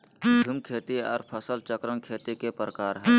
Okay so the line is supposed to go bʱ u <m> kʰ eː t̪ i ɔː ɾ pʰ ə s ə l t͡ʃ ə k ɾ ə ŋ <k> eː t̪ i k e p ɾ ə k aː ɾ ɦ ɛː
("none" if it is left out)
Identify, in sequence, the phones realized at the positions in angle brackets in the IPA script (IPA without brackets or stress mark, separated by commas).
m, kʰ